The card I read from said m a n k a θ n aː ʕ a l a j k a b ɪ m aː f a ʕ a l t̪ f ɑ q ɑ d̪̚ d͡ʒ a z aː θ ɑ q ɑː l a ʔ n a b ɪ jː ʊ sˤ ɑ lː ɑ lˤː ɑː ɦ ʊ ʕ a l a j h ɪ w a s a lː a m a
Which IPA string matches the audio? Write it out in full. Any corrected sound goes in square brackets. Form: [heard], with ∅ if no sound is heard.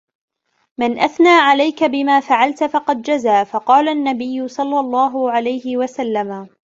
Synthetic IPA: m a n [ʔ] a θ n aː ʕ a l a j k a b ɪ m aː f a ʕ a l t̪ f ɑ q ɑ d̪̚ d͡ʒ a z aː [f] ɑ q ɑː l a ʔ [nː] a b ɪ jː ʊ sˤ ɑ lː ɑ lˤː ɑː ɦ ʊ ʕ a l a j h ɪ w a s a lː a m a

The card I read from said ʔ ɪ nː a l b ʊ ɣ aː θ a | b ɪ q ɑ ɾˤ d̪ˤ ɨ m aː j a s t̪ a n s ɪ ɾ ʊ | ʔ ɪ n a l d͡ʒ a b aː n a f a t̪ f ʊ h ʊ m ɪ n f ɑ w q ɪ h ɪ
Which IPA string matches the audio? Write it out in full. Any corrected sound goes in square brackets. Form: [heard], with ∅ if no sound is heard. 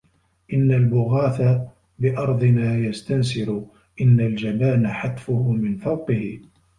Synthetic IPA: ʔ ɪ nː a l b ʊ ɣ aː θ a | b ɪ [ʔ] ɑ ɾˤ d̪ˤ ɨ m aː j a s t̪ a n s ɪ ɾ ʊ | ʔ ɪ [nː] a l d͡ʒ a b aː n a [ħ] a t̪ f ʊ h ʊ m ɪ n f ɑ w q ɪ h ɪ

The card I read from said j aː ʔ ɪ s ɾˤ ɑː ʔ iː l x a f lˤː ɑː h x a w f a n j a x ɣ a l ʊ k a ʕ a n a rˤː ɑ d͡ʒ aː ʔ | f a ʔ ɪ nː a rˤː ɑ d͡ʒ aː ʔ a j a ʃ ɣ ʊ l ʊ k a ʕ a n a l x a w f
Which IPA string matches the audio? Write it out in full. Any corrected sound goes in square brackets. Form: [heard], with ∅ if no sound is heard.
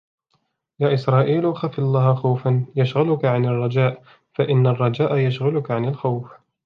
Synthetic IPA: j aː ʔ ɪ s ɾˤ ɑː ʔ iː l x a f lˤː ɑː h x a w f a n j a [ʃ] ɣ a l ʊ k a ʕ a n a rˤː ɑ d͡ʒ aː ʔ | f a ʔ ɪ nː a rˤː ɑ d͡ʒ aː ʔ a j a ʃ ɣ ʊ l ʊ k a ʕ a n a l x a w f

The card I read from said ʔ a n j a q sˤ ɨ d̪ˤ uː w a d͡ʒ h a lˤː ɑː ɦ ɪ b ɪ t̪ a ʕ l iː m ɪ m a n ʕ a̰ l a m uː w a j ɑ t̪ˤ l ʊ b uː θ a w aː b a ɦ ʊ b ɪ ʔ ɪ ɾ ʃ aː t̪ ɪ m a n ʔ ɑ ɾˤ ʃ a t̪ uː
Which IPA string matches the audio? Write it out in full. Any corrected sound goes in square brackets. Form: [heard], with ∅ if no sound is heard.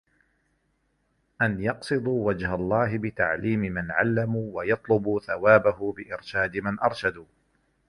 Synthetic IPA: ʔ a n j [ɑ] q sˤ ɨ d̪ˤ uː w a d͡ʒ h a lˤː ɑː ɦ ɪ b ɪ t̪ a ʕ l iː m ɪ m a n ʕ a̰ [lː] a m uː w a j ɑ t̪ˤ l ʊ b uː θ a w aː b a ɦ ʊ b ɪ ʔ ɪ ɾ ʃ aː [d̪] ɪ m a n ʔ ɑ ɾˤ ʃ a [d̪] uː

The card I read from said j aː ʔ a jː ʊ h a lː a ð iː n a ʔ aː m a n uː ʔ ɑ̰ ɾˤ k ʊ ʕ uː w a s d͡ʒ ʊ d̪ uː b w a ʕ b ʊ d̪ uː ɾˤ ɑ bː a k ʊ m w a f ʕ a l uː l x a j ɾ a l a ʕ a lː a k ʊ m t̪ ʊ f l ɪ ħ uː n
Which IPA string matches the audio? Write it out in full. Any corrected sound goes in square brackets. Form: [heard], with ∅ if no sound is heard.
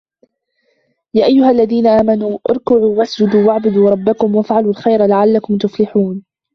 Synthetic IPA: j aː ʔ a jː ʊ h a lː a ð iː n a ʔ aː m a n uː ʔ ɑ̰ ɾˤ k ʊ ʕ uː w a s d͡ʒ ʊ d̪ uː [∅] w a ʕ b ʊ d̪ uː ɾˤ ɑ bː a k ʊ m w a f ʕ a l uː l x a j ɾ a l a ʕ a lː a k ʊ m t̪ ʊ f l ɪ ħ uː n

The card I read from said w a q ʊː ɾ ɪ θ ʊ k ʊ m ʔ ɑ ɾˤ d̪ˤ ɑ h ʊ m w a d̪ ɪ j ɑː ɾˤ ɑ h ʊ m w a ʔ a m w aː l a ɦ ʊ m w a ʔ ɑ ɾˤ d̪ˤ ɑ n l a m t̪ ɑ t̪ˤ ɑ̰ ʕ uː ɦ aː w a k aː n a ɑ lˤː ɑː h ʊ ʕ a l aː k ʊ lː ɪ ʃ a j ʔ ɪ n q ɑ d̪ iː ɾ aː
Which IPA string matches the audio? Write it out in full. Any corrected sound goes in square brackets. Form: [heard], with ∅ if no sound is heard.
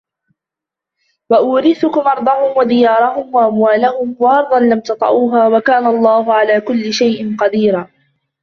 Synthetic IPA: w a [ʔ] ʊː ɾ ɪ θ ʊ k ʊ m ʔ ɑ ɾˤ d̪ˤ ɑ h ʊ m w a d̪ ɪ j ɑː ɾˤ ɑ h ʊ m w a ʔ a m w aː l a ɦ ʊ m w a ʔ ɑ ɾˤ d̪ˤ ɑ n l a m t̪ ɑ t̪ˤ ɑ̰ ʕ uː ɦ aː w a k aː n a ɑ lˤː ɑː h ʊ ʕ a l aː k ʊ lː ɪ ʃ a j ʔ ɪ n q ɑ d̪ iː ɾ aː

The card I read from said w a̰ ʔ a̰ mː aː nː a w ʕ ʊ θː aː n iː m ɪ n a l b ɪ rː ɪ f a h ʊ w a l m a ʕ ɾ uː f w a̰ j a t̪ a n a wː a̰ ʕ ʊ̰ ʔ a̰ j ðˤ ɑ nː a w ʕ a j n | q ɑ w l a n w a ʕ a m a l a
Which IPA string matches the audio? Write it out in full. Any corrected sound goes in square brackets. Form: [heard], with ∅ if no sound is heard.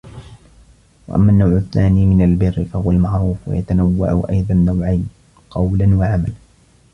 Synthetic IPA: w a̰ ʔ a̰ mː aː nː a w ʕ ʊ θː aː n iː m ɪ n a l b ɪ rː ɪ f a h ʊ w a l m a ʕ ɾ uː f w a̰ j a t̪ a n a wː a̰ ʕ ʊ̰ ʔ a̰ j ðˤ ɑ nː a w ʕ a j n | q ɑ w l a n w a ʕ a m a l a

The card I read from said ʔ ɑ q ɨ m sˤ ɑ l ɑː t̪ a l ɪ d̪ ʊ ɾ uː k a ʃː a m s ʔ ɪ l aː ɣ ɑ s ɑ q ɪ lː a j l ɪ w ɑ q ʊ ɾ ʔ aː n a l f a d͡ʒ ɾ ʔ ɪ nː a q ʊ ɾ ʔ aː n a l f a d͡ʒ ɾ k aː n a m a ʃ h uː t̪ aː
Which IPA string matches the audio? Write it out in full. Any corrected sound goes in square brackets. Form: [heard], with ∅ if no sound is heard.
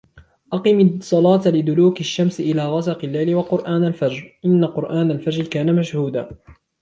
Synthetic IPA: ʔ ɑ q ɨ m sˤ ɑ l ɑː t̪ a l ɪ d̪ ʊ [l] uː k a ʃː a m s ʔ ɪ l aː ɣ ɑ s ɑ q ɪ lː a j l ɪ w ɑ q ʊ ɾ ʔ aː n a l f a d͡ʒ ɾ ʔ ɪ nː a q ʊ ɾ ʔ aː n a l f a d͡ʒ ɾ k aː n a m a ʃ h uː [d̪] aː

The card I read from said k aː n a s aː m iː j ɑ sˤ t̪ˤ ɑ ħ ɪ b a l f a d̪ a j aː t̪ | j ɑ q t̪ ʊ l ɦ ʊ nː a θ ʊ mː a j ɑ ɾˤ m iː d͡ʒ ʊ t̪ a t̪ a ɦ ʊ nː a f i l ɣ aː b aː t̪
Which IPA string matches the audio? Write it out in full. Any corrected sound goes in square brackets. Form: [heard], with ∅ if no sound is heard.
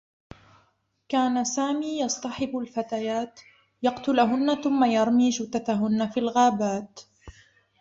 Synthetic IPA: k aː n a s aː m iː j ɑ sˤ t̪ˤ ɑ ħ ɪ b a l f a [t̪] a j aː t̪ | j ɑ q t̪ ʊ l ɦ ʊ nː a θ ʊ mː a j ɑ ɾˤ m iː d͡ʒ ʊ t̪ a t̪ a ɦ ʊ nː a f i l ɣ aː b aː t̪

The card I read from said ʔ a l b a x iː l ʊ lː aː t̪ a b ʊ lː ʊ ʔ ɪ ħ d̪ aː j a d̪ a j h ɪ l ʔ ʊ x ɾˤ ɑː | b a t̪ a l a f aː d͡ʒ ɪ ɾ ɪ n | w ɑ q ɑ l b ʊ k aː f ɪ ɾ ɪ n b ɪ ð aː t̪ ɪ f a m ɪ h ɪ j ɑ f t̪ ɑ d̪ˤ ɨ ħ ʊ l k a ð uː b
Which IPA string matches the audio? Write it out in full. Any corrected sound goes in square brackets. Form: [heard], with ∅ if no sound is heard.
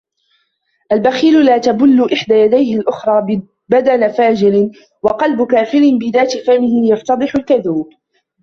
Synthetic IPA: ʔ a l b a x iː l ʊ [l] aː t̪ a b ʊ lː ʊ ʔ ɪ ħ d̪ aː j a d̪ a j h ɪ l ʔ ʊ x ɾˤ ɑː | b a [d̪] a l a f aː d͡ʒ ɪ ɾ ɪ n | w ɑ q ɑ l b ʊ k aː f ɪ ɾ ɪ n b ɪ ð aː t̪ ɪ f a m ɪ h ɪ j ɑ f t̪ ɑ d̪ˤ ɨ ħ ʊ l k a ð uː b

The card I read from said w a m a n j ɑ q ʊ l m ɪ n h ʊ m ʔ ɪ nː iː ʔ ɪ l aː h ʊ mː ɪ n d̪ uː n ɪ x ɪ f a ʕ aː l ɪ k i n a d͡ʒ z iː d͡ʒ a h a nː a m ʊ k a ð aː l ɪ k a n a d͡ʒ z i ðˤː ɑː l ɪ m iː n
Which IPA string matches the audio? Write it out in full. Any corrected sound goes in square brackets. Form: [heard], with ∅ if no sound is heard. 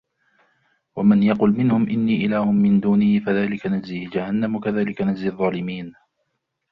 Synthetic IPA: w a m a n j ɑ q ʊ l m ɪ n h ʊ m ʔ ɪ nː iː ʔ ɪ l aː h ʊ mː ɪ n d̪ uː n ɪ [h] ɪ f a [ð] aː l ɪ k [a] n a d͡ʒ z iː d͡ʒ a h a nː a m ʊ k a ð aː l ɪ k a n a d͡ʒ z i ðˤː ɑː l ɪ m iː n

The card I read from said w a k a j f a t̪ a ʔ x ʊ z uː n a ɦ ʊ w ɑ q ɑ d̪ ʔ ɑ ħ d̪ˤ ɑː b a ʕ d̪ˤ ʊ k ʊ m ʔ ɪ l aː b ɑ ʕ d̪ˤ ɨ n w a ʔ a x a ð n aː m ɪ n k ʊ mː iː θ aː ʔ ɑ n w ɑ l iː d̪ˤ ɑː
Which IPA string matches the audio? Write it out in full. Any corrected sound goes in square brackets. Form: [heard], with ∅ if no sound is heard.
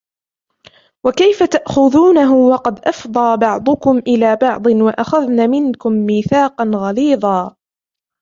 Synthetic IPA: w a k a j f a t̪ a ʔ x ʊ [ð] uː n a ɦ ʊ w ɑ q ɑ d̪ ʔ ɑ [f] d̪ˤ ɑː b [ɑ] ʕ d̪ˤ ʊ k ʊ m ʔ ɪ l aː b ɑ ʕ d̪ˤ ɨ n w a ʔ a x a ð n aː m ɪ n k ʊ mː iː θ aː [q] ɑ n [ɣ] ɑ l iː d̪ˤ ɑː

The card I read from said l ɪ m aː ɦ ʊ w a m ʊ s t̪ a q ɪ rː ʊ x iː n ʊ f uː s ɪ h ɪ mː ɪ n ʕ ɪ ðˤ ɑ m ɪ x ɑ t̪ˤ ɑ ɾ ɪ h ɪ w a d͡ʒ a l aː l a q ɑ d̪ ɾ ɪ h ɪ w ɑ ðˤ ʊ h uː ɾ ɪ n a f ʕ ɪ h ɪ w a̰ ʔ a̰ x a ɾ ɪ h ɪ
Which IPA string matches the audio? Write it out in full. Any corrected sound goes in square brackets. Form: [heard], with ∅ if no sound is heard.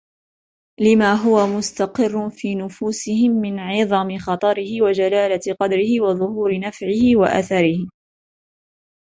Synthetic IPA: l ɪ m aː ɦ ʊ w a m ʊ s t̪ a q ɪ rː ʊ [f] iː n ʊ f uː s ɪ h ɪ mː ɪ n ʕ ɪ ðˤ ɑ m ɪ x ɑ t̪ˤ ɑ ɾ ɪ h ɪ w a d͡ʒ a l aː l a q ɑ d̪ ɾ ɪ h ɪ w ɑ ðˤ ʊ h uː ɾ ɪ n a f ʕ ɪ h ɪ w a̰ ʔ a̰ [θ] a ɾ ɪ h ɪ

